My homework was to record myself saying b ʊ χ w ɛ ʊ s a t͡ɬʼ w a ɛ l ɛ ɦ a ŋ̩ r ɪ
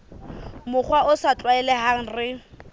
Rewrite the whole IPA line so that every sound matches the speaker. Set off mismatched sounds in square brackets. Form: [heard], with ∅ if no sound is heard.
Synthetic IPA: [m] ʊ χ w [a] ʊ s a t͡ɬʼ w a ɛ l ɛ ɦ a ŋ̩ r ɪ